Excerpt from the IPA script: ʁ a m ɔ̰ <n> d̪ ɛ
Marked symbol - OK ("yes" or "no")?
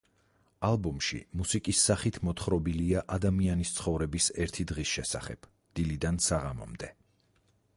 no